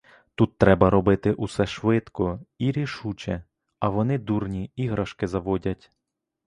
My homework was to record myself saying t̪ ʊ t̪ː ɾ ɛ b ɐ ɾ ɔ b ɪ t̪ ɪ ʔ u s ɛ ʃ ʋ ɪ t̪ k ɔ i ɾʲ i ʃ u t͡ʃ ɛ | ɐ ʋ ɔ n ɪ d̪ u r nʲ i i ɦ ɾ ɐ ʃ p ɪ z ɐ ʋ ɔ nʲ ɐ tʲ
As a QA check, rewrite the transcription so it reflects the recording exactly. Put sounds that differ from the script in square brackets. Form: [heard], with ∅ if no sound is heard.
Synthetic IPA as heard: t̪ [u] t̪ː ɾ ɛ b ɐ ɾ ɔ b ɪ t̪ ɪ ʔ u s ɛ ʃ ʋ ɪ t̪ k ɔ i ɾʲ i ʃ u t͡ʃ ɛ | ɐ ʋ ɔ n ɪ d̪ u r nʲ i i ɦ ɾ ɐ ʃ [k] ɪ z ɐ ʋ ɔ [dʲ] ɐ tʲ

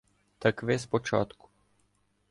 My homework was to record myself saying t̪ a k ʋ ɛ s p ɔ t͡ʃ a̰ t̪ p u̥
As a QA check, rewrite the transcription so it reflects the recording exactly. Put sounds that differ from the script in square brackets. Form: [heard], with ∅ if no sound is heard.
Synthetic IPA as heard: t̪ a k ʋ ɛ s p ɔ t͡ʃ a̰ t̪ [k] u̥

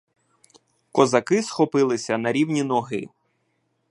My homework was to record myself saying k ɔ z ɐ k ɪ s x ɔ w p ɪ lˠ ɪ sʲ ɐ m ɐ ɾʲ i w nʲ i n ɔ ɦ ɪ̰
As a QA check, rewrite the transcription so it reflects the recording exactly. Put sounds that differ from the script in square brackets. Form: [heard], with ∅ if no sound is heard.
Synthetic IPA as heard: k ɔ z ɐ k ɪ s x ɔ [∅] p ɪ lˠ ɪ sʲ ɐ [n] ɐ ɾʲ i w nʲ i n ɔ ɦ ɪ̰

